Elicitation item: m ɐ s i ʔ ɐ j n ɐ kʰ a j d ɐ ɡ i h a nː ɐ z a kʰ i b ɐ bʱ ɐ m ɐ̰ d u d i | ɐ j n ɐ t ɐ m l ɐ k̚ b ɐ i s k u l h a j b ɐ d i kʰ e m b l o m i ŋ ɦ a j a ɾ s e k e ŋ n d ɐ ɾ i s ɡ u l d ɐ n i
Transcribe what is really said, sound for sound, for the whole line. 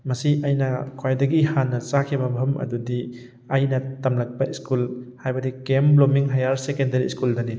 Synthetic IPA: m ɐ s i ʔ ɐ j n ɐ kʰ a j d ɐ ɡ i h a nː ɐ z a kʰ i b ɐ bʱ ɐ m ɐ̰ d u d i | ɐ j n ɐ t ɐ m l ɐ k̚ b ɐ i s k u l h a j b ɐ d i k e m b l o m i ŋ ɦ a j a ɾ s e k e n d ɐ ɾ i s k u l d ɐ n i